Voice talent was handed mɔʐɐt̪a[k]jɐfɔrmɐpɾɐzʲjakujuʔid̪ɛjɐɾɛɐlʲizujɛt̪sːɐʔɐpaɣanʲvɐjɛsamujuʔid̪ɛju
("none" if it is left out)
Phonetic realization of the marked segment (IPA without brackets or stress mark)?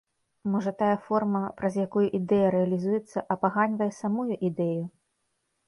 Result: none